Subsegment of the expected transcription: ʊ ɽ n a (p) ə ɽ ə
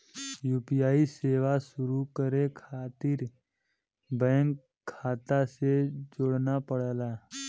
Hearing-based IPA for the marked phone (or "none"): p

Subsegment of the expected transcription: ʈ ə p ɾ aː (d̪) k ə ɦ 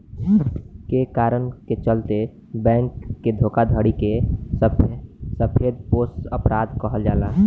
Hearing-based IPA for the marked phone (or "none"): d̪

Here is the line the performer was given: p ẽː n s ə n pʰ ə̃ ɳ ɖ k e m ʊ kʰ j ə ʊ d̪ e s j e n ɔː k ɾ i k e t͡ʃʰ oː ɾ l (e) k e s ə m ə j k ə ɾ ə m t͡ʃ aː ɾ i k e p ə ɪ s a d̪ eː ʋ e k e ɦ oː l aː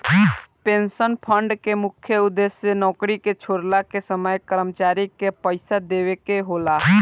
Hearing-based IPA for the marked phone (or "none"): a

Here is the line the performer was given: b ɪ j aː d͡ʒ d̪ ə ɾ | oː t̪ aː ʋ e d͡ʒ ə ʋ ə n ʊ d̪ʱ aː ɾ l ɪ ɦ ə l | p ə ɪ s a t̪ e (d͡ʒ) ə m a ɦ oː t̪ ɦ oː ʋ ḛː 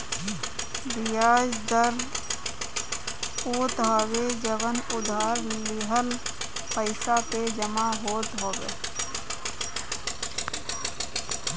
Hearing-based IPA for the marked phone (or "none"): d͡ʒ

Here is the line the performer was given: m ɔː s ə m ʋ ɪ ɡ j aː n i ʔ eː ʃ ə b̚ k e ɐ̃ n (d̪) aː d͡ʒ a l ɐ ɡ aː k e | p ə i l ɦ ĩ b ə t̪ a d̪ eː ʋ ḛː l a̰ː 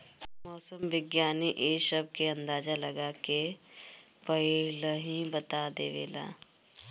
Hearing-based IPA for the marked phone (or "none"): d̪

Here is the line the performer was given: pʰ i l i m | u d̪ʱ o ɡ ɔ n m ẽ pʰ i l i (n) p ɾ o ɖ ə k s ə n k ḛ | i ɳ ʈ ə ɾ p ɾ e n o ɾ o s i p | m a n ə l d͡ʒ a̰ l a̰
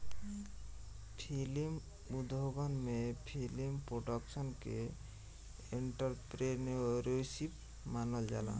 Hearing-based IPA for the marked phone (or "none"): m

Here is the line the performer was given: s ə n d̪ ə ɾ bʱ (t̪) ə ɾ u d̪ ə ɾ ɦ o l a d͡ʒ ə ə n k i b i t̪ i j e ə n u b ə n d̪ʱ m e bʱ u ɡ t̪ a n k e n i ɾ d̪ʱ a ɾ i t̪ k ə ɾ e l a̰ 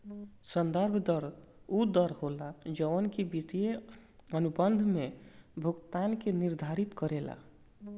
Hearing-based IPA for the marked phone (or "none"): d̪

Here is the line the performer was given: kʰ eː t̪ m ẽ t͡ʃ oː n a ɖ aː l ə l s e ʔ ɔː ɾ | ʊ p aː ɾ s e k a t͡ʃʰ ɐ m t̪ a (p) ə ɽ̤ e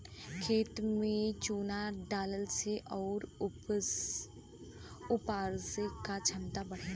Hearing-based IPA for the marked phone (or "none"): b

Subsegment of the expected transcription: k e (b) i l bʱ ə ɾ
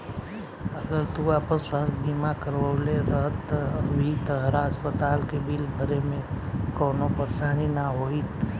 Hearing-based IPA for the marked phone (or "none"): b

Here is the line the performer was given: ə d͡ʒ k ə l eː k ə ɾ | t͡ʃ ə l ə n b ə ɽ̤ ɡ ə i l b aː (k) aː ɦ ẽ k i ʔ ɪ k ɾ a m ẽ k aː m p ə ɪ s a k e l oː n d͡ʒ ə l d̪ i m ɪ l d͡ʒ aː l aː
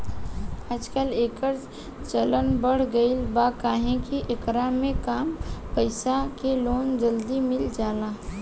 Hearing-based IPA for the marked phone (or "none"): k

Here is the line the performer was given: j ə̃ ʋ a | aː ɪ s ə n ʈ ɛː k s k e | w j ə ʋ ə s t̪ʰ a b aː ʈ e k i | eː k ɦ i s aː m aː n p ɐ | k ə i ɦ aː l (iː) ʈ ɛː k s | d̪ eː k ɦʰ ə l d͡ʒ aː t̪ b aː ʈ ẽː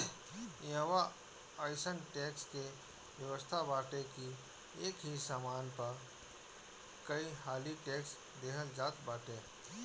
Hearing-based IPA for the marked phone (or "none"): i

